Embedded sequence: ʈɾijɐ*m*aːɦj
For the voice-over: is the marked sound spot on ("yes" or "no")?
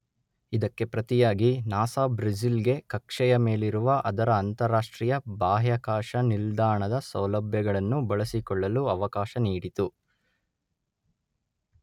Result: no